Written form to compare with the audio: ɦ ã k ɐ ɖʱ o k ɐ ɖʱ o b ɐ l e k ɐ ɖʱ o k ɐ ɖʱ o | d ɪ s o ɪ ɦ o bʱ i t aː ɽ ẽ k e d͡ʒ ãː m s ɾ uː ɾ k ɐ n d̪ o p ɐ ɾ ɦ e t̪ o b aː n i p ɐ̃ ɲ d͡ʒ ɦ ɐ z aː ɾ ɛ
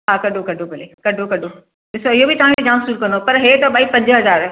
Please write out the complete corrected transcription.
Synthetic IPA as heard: ɦ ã k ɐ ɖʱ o k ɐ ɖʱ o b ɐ l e k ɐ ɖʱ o k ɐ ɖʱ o | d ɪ s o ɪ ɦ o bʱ i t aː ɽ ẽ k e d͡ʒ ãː m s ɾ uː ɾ k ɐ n d̪ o p ɐ ɾ ɦ e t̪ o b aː i p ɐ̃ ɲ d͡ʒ ɦ ɐ z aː ɾ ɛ